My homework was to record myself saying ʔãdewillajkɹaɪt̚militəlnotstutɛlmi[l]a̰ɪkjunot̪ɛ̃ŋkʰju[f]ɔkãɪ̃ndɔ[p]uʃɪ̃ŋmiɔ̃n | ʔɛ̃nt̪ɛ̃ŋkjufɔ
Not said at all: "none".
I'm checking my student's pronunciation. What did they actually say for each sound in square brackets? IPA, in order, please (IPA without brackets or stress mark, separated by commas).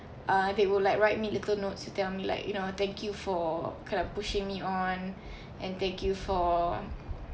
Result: l, f, p